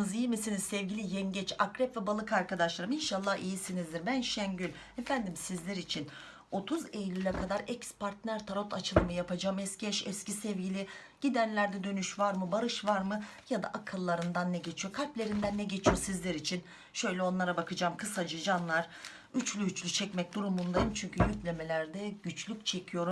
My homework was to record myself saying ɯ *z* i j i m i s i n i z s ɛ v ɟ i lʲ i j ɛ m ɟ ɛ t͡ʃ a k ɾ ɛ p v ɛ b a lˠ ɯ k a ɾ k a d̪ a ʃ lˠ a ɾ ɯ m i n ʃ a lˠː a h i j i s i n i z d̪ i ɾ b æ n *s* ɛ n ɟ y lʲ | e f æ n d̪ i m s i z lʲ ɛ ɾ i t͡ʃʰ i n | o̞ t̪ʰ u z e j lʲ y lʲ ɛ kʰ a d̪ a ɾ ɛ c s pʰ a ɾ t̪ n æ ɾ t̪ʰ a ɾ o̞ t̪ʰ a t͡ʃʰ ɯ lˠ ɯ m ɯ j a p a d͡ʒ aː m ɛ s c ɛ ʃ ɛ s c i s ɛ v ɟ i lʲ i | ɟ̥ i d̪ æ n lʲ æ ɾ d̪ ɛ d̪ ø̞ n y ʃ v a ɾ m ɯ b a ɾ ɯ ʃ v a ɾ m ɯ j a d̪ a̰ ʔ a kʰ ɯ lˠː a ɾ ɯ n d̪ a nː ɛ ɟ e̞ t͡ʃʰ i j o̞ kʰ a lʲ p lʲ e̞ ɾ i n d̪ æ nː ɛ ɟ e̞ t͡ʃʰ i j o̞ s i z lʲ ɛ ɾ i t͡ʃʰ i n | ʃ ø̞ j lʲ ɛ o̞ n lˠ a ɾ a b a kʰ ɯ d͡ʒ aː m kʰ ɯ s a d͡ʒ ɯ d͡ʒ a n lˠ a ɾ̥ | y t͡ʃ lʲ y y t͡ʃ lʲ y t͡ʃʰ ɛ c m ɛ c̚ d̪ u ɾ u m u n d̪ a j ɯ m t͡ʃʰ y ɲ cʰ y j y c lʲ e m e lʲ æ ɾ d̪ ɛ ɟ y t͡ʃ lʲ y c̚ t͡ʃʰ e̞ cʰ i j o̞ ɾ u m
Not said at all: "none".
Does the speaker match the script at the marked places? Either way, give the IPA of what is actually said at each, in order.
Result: z, ʃ

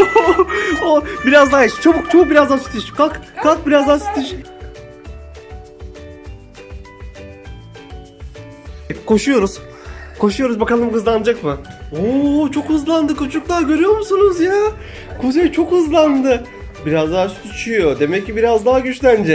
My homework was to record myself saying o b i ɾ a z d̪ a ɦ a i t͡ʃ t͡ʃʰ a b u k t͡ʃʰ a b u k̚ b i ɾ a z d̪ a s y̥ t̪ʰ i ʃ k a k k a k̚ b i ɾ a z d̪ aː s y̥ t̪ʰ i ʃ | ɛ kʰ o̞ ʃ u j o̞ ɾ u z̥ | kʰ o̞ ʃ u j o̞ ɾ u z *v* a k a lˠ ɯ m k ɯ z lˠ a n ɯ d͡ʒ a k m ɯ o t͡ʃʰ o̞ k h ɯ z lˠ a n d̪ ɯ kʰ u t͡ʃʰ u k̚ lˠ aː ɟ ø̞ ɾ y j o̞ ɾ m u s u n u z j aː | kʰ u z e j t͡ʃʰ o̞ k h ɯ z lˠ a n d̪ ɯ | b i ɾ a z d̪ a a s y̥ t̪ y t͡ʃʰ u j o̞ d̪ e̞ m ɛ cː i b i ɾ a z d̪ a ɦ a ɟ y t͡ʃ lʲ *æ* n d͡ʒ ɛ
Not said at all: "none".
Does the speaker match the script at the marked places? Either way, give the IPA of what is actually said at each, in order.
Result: b, æ

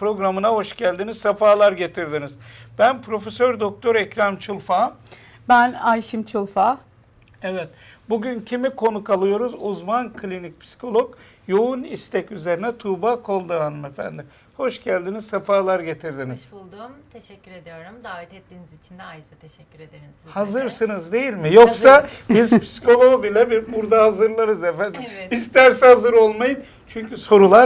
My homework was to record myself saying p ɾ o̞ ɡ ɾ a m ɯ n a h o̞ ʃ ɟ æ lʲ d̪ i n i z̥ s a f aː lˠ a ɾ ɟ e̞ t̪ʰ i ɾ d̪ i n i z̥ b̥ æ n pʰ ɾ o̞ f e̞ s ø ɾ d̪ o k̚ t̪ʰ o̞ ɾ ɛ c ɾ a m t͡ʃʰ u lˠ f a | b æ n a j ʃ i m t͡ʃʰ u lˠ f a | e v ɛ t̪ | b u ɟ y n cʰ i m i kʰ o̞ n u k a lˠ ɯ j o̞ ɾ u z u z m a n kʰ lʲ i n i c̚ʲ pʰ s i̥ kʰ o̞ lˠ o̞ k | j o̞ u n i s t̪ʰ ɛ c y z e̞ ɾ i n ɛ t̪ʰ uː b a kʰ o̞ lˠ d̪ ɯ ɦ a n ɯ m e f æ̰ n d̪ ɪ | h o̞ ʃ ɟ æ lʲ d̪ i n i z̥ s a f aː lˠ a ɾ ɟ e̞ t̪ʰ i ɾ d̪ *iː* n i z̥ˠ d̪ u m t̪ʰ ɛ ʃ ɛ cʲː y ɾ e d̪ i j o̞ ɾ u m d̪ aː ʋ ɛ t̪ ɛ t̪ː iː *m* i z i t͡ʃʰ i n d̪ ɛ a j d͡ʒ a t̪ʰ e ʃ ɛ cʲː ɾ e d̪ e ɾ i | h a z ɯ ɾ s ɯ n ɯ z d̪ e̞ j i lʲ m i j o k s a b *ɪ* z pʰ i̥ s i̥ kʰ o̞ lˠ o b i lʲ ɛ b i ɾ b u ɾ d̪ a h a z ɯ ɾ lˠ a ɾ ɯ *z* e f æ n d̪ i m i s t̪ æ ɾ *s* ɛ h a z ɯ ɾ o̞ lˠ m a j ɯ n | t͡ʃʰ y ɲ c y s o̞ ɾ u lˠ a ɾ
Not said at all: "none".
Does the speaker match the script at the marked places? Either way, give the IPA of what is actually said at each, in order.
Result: i, n, i, z, s

